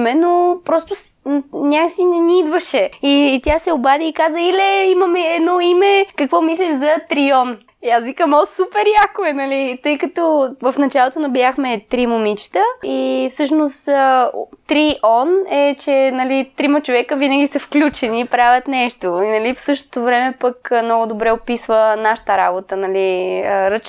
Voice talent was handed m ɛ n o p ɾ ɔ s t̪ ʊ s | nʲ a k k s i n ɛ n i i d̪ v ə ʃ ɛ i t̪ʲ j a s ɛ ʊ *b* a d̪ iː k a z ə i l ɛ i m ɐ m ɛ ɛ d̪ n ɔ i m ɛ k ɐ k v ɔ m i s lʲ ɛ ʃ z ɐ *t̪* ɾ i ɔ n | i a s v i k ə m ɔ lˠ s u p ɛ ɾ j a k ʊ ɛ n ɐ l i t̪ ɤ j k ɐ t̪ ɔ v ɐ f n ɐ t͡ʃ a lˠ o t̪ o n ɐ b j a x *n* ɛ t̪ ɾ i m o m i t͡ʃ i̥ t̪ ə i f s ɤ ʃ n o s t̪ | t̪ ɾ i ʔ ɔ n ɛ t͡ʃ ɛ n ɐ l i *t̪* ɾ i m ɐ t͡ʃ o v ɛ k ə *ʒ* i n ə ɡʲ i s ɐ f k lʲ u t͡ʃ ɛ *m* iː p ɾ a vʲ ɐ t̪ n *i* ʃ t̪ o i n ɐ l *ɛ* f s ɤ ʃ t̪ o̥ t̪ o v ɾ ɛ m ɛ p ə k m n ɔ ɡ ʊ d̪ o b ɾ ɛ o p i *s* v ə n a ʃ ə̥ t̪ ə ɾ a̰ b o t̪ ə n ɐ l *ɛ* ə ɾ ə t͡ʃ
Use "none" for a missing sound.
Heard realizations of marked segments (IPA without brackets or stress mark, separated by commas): b, t̪, m, t̪, v, n, ɛ, i, s, i